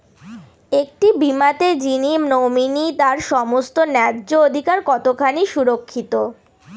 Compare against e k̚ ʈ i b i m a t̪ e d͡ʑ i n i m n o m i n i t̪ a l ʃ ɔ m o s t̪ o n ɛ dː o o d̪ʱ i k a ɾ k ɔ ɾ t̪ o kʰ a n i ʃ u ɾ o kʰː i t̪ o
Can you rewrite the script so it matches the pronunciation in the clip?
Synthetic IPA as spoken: e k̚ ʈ i b i m a t̪ e d͡ʑ i n i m n o m i n i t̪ a ɾ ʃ ɔ m o s t̪ o n ɛ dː o o d̪ʱ i k a ɾ k ɔ t̪ o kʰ a n i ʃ u ɾ o kʰː i t̪ o